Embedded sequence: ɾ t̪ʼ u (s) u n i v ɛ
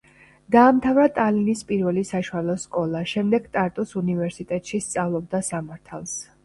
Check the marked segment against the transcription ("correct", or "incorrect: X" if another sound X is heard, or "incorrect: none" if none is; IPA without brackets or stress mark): correct